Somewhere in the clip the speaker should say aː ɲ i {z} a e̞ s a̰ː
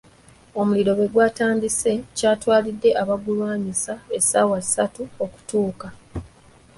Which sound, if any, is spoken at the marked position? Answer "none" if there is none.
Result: s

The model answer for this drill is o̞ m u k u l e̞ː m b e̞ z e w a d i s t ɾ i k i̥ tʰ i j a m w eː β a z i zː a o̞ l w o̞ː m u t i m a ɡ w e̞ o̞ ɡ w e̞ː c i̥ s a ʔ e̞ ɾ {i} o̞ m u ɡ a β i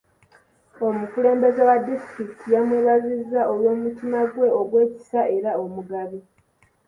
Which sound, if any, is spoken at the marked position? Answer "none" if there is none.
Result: a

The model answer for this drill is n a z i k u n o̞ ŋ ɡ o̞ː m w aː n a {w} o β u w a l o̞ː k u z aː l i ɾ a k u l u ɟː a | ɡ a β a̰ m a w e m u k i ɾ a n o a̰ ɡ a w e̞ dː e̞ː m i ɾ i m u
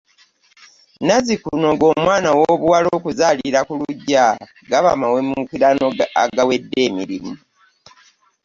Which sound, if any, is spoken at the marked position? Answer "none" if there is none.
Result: w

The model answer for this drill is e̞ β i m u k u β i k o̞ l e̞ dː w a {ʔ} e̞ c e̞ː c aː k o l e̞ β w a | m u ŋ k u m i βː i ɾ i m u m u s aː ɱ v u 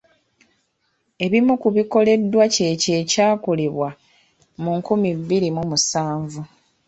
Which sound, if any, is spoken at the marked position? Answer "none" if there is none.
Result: c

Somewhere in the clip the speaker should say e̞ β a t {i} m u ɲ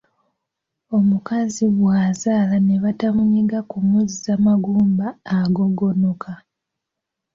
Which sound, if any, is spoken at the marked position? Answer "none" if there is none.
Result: a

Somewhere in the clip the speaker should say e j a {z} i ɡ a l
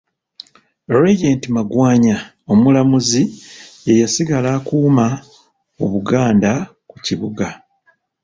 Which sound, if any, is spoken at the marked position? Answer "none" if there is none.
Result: s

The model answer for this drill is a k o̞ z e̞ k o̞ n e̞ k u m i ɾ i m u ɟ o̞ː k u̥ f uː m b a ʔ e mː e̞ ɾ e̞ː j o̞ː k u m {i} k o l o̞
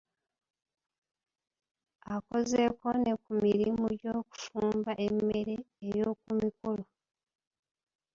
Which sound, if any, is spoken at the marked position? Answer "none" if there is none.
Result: i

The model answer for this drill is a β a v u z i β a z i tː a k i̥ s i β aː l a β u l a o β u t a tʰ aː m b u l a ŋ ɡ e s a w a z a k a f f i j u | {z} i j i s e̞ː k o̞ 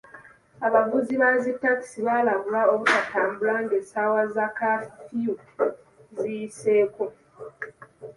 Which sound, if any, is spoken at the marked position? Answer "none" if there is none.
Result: z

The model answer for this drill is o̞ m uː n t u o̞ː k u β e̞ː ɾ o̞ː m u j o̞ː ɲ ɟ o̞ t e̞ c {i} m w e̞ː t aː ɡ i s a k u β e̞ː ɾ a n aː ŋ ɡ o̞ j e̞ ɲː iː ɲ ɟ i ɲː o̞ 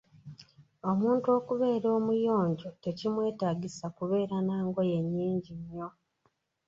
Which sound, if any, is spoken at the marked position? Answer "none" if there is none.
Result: i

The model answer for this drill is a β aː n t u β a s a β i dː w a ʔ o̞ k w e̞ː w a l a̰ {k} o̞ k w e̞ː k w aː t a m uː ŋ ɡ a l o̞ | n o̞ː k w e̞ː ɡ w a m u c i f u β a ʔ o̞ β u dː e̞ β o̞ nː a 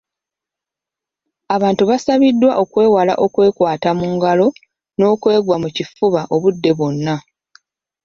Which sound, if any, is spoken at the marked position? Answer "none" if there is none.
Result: ʔ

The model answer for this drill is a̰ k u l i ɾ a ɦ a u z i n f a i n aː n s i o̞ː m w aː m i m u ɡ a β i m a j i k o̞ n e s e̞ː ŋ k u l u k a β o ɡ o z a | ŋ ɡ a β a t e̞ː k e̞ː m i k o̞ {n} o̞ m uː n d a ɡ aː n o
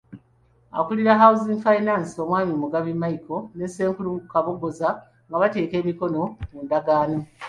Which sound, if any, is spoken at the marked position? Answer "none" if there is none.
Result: n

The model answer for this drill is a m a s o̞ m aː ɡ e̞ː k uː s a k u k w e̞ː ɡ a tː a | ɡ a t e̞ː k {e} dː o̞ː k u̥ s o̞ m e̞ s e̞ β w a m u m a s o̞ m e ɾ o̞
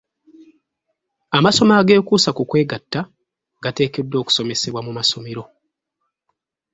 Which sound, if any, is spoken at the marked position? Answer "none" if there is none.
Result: e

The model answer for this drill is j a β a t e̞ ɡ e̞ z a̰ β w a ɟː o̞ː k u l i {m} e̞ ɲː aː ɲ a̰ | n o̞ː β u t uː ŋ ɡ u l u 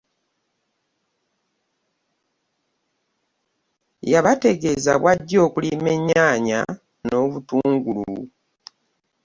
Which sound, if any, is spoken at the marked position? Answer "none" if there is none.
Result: m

